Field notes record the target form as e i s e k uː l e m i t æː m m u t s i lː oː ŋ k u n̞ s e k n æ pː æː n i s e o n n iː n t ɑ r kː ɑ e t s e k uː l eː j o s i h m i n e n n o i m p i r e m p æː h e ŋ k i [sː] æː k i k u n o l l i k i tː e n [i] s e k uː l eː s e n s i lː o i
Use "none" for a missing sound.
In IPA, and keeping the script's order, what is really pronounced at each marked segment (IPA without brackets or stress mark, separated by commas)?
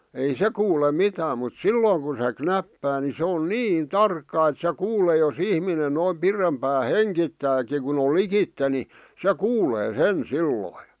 tː, i